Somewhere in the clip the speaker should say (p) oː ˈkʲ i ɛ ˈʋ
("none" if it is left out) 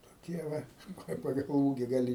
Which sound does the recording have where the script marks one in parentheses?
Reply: t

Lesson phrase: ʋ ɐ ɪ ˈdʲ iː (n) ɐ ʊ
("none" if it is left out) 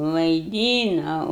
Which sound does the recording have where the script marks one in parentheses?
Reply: n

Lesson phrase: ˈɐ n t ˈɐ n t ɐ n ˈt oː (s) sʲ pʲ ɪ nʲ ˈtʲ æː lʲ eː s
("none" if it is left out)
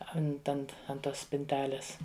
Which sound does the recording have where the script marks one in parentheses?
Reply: s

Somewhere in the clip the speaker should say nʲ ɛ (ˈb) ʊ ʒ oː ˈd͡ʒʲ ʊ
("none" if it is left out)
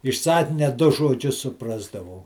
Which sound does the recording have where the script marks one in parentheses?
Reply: d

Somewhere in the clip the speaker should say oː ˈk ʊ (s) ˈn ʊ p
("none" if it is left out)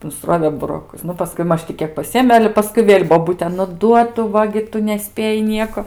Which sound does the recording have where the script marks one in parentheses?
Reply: s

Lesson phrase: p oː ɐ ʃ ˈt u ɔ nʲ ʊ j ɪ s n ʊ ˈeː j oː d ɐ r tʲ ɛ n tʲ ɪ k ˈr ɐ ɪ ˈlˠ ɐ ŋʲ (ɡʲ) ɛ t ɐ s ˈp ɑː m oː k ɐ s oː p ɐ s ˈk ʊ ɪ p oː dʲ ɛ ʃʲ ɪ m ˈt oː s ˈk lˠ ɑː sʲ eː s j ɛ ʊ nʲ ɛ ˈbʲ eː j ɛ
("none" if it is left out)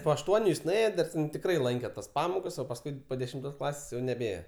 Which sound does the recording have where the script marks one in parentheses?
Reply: kʲ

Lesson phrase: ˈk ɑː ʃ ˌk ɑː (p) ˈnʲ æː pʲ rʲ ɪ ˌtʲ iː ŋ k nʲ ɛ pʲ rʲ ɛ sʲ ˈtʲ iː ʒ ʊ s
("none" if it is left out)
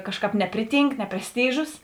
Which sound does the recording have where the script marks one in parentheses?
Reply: p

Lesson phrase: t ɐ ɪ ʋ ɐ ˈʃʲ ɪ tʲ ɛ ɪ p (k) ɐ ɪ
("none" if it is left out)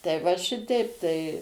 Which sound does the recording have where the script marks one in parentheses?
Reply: t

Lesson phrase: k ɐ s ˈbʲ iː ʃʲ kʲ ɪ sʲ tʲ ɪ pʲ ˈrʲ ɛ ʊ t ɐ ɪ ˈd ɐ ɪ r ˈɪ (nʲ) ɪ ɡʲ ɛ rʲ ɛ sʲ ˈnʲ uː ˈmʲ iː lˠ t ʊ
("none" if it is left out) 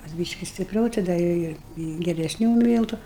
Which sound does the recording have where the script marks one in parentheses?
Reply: none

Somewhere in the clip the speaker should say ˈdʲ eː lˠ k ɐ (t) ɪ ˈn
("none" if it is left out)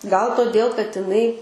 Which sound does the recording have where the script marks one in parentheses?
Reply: t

